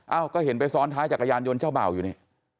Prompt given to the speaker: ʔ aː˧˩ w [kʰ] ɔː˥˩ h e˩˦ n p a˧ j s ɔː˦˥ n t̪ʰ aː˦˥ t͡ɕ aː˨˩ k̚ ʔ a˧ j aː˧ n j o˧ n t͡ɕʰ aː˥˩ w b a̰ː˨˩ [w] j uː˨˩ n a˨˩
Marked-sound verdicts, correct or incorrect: incorrect: k, correct

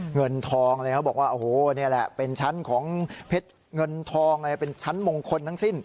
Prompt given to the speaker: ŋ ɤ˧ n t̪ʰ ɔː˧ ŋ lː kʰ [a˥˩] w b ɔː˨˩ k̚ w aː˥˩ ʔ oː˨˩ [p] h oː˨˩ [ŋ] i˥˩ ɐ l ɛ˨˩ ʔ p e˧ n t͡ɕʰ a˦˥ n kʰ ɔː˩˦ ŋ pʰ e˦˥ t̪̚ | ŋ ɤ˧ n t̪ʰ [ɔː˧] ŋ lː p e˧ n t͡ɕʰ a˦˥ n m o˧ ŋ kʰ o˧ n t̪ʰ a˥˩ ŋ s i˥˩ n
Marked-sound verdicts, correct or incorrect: incorrect: a˦˥, incorrect: none, incorrect: n, correct

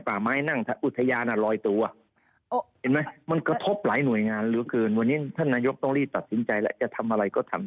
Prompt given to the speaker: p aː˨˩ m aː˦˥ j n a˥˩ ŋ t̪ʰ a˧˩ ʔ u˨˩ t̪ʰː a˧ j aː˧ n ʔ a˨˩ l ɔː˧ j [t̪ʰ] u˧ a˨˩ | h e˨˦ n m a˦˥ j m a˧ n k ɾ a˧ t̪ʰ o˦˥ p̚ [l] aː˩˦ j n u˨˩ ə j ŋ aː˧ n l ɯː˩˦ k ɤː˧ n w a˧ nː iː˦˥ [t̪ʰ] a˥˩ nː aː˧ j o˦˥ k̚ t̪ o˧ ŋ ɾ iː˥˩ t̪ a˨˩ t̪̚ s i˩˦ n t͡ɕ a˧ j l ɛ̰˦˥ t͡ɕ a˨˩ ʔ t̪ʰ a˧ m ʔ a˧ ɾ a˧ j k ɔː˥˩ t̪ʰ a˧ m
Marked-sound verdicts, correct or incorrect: incorrect: t̪, correct, correct

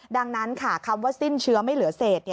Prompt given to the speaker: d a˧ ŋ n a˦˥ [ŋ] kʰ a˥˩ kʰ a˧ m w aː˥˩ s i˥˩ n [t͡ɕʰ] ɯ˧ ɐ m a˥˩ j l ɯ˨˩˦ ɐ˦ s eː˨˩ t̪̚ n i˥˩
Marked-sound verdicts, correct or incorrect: incorrect: n, correct

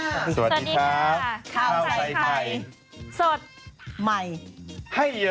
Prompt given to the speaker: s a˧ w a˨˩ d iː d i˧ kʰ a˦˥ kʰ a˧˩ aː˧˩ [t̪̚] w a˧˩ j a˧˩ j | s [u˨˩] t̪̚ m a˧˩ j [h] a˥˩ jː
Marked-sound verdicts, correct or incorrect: incorrect: none, incorrect: o˨˩, correct

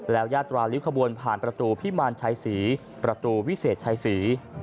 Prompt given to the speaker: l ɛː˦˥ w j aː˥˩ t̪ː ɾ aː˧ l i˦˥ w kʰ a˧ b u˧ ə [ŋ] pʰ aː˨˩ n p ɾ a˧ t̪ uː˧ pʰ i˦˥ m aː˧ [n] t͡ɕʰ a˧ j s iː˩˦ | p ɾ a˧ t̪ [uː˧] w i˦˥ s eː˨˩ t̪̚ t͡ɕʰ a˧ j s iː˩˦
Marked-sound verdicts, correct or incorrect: incorrect: n, correct, correct

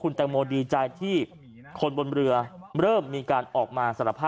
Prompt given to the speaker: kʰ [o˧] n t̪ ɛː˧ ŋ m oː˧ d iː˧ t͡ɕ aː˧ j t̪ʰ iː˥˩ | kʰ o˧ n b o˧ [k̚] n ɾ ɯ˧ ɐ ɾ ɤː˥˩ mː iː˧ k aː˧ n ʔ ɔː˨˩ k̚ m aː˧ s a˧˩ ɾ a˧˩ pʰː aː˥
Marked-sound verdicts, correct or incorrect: incorrect: u˧, incorrect: none

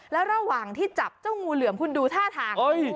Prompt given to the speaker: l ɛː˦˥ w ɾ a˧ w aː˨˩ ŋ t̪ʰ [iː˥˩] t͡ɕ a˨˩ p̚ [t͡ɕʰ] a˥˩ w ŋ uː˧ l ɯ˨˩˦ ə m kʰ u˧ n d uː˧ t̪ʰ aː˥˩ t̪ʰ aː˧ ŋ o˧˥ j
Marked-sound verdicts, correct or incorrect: correct, incorrect: t͡ɕ

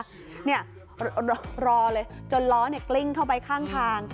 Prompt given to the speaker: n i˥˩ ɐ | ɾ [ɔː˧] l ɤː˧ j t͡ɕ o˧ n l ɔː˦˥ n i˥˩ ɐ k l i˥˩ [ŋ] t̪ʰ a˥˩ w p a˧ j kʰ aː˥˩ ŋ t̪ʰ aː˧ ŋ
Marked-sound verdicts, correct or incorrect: correct, correct

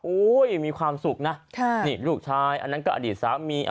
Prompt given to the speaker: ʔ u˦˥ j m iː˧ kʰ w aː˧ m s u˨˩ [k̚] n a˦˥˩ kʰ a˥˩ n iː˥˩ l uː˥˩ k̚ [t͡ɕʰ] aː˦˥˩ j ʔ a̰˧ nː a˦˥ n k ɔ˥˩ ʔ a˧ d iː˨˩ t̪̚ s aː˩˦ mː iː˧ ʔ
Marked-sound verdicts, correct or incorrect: correct, correct

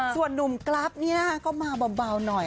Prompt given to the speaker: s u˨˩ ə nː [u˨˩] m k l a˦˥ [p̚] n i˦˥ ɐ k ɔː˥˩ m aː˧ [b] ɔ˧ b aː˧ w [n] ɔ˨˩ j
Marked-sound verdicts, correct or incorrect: correct, correct, correct, correct

